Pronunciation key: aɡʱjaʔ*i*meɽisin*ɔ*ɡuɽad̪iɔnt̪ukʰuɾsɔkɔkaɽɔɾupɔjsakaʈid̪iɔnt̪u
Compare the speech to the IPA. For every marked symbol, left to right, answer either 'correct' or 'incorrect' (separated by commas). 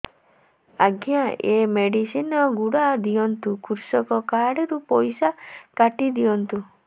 incorrect, correct